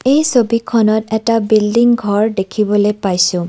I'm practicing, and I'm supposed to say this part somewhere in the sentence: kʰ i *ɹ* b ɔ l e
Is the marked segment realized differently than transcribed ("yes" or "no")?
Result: yes